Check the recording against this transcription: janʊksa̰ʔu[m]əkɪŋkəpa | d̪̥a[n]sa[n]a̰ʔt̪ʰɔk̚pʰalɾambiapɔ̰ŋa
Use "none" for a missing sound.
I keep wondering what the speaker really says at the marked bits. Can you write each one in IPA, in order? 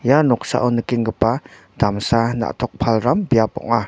n, m, n

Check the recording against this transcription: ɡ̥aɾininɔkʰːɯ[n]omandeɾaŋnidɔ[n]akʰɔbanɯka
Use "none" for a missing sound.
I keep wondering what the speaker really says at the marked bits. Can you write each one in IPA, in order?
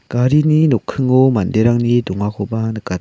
ŋ, ŋ

